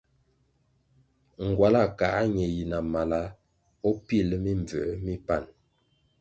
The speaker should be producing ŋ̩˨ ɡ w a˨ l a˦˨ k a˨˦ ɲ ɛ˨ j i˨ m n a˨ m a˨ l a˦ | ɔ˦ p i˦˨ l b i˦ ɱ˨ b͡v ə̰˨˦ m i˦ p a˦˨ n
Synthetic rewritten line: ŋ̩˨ ɡ w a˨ l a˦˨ k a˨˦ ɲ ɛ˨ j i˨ n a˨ m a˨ l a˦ | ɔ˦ p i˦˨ l m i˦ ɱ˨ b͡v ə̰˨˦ m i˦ p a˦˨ n